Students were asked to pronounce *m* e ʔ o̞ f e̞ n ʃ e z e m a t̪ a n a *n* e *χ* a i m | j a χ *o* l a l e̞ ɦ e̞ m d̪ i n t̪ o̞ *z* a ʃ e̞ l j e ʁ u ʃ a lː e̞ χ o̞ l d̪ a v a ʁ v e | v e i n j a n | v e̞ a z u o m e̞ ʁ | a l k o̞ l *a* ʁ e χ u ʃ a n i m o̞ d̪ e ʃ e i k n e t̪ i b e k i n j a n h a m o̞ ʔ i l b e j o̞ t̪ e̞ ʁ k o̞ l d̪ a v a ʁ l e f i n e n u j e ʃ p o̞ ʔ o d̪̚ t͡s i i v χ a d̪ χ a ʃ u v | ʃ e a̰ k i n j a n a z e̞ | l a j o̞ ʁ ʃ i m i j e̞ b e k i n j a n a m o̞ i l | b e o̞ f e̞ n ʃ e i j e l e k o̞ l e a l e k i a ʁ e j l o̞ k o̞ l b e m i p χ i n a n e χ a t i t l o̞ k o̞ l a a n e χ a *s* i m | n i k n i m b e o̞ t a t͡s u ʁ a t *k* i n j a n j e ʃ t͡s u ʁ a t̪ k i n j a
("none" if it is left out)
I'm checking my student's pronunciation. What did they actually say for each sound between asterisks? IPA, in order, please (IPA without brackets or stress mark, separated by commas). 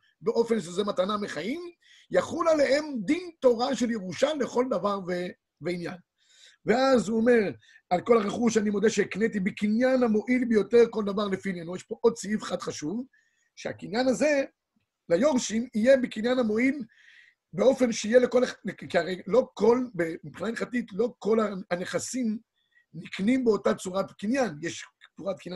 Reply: b, m, χ, u, ʁ, a, s, k